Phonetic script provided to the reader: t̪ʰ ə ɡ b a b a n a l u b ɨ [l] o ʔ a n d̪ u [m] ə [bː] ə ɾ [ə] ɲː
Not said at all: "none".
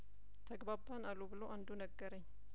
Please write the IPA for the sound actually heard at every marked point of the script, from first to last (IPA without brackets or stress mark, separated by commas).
l, n, ɡː, ə